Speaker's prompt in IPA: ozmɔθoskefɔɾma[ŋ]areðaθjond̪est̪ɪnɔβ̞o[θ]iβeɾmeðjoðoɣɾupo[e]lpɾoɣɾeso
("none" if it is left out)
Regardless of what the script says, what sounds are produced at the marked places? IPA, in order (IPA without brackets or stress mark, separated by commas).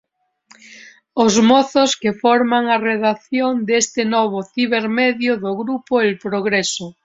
ŋ, θ, e